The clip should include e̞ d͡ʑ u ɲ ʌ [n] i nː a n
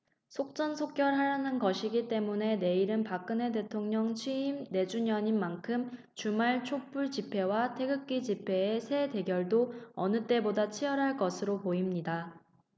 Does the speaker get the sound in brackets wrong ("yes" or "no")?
yes